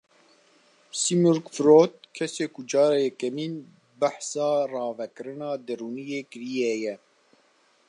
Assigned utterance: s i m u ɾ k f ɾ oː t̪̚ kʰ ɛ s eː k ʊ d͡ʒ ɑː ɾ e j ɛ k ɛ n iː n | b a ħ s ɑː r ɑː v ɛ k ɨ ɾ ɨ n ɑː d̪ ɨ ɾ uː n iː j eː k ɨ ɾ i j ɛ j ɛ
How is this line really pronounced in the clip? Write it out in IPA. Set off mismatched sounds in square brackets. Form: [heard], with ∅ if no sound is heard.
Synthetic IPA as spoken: s i m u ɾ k f ɾ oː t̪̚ kʰ ɛ s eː k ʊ d͡ʒ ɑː ɾ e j ɛ k ɛ [m] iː n | b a ħ s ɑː r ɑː v ɛ k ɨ ɾ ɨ n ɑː d̪ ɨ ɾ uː n [i] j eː k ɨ ɾ i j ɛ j ɛ

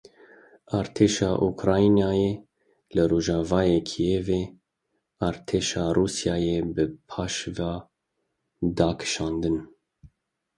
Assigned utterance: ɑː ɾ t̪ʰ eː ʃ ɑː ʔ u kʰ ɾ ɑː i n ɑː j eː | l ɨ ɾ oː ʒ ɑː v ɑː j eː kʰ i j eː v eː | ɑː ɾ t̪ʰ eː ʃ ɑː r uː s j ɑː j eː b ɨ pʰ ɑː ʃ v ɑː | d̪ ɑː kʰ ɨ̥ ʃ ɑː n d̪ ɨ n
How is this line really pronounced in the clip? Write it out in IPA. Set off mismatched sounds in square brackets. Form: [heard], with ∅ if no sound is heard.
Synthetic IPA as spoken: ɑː ɾ t̪ʰ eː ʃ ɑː ʔ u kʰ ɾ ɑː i n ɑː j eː | l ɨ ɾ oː ʒ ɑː v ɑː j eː kʰ i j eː v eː | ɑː ɾ t̪ʰ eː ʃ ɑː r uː s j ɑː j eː b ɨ pʰ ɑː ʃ v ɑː | d̪ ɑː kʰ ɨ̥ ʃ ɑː n d̪ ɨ n

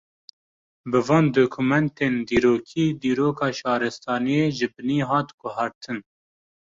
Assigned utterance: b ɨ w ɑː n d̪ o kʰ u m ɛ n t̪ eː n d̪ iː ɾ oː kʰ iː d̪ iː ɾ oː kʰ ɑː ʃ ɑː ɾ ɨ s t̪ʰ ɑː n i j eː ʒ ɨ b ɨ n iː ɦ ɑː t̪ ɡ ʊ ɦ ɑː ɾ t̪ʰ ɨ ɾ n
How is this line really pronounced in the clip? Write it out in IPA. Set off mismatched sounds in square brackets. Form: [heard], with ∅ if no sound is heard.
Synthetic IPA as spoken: b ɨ [v] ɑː n d̪ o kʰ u m ɛ n t̪ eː n d̪ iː ɾ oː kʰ iː d̪ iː ɾ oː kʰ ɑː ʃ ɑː ɾ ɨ s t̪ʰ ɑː n i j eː ʒ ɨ b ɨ n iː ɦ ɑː t̪ ɡ ʊ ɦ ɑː ɾ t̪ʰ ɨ [∅] n

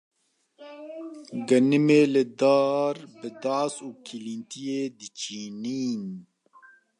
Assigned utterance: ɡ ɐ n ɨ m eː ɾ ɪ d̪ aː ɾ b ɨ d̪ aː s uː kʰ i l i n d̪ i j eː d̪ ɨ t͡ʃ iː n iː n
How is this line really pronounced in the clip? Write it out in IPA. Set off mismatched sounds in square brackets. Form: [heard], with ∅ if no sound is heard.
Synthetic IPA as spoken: ɡ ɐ n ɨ m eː [l] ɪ d̪ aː ɾ b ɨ d̪ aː s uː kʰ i l i n [t̪] i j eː d̪ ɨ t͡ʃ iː n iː n

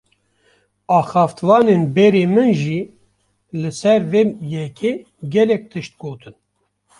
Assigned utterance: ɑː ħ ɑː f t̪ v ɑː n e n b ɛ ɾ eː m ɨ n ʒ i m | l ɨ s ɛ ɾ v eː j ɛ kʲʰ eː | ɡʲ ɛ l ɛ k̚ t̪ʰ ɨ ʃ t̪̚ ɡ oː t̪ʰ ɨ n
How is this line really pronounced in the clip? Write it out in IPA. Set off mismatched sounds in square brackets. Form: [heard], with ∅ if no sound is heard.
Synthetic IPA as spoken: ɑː [x] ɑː f t̪ v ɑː n e n b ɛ ɾ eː m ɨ n ʒ i [∅] | l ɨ s ɛ ɾ v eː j ɛ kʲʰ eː | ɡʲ ɛ l ɛ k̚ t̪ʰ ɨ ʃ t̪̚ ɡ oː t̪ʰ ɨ n

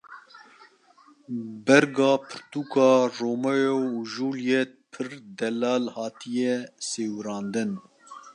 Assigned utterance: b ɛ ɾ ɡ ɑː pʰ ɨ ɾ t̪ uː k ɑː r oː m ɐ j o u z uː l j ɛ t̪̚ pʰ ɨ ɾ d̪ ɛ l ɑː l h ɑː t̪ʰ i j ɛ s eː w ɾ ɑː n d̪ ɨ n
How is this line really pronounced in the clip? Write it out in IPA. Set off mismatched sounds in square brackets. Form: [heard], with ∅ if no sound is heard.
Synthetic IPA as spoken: b ɛ ɾ ɡ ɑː pʰ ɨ ɾ t̪ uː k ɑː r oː m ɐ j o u [ʒ] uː l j ɛ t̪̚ pʰ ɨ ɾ d̪ ɛ l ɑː l h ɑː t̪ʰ i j ɛ s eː w ɾ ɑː n d̪ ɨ n

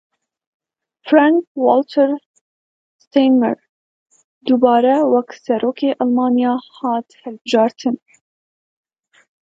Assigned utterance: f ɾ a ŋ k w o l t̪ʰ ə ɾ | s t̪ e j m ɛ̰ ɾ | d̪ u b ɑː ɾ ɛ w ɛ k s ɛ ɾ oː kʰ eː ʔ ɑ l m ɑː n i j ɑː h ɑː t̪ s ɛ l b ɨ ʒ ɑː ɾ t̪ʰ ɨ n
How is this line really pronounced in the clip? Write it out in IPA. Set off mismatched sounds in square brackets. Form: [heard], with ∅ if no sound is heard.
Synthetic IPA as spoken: f ɾ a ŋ k w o l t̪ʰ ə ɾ | s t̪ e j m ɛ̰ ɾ | d̪ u b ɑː ɾ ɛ w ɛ k s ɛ ɾ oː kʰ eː ʔ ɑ l m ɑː n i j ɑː h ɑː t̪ [h] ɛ l b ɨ ʒ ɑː ɾ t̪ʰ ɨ n

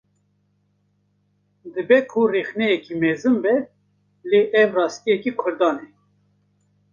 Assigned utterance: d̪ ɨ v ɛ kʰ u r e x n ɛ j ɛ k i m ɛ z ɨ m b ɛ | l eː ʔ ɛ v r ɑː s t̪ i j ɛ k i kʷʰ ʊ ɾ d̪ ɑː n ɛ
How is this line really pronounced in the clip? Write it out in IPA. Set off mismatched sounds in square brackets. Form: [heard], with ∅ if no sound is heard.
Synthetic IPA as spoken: d̪ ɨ [b] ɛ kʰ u r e x n ɛ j ɛ k i m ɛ z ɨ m b ɛ | l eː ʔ ɛ v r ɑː s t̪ i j ɛ k i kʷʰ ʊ ɾ d̪ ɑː n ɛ

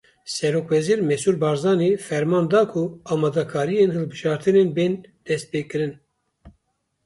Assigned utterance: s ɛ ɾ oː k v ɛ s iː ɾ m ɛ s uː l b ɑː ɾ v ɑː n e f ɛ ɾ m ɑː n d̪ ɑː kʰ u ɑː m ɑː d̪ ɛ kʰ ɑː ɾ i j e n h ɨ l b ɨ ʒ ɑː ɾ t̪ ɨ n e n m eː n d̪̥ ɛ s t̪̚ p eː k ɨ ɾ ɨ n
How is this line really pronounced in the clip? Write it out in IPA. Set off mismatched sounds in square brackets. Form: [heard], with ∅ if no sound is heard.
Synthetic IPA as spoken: s ɛ ɾ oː k v ɛ [z] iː ɾ m ɛ s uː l b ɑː ɾ [z] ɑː n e f ɛ ɾ m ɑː n d̪ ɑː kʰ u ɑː m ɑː d̪ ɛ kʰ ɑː ɾ i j e n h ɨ l b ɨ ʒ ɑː ɾ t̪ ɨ n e n [b] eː n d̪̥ ɛ s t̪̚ p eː k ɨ ɾ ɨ n

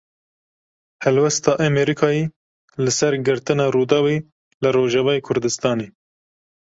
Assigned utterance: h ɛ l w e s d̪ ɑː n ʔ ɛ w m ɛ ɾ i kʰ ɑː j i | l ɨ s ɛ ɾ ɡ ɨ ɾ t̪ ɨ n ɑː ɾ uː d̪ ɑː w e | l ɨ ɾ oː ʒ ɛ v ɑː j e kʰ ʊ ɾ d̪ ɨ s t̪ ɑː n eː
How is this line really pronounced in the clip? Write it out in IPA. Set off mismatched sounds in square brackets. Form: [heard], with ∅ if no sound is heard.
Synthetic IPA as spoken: h ɛ l w [ɛ] s [t̪] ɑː [∅] ʔ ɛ [∅] m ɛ ɾ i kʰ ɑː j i | l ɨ s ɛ ɾ ɡ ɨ ɾ t̪ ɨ n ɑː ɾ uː d̪ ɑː w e | l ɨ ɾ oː ʒ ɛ v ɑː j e kʰ ʊ ɾ d̪ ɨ s t̪ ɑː n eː

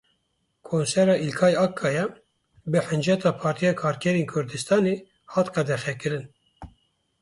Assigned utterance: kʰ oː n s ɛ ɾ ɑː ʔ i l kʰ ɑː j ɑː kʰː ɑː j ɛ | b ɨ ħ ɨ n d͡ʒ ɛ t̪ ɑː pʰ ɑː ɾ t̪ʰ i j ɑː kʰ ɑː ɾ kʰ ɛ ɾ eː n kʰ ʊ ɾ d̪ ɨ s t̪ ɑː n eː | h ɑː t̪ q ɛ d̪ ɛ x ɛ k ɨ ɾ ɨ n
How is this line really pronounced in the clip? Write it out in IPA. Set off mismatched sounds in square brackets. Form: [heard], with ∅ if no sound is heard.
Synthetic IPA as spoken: kʰ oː n s ɛ ɾ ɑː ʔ i l kʰ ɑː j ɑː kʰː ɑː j ɛ | b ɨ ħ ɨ n d͡ʒ ɛ t̪ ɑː pʰ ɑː ɾ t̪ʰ i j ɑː kʰ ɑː ɾ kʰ ɛ ɾ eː n kʰ ʊ ɾ d̪ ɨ s t̪ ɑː n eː | h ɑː t̪ q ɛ d̪ ɛ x ɛ k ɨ ɾ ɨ n

